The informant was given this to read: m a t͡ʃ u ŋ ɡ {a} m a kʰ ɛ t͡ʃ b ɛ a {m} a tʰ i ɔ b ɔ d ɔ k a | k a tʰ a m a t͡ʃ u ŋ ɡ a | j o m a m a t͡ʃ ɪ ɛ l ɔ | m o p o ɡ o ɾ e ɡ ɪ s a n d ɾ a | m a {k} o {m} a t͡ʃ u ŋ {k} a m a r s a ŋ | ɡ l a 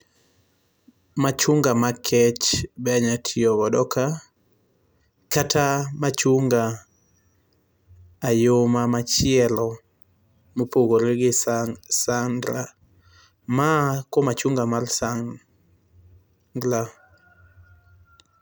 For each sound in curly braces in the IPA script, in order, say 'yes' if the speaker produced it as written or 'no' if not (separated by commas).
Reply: yes, no, yes, yes, no